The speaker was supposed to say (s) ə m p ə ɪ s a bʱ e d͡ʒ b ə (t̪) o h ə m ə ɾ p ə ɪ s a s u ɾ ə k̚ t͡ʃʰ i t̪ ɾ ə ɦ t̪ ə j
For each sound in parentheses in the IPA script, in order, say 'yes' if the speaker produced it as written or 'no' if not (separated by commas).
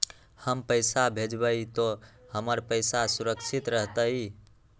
no, yes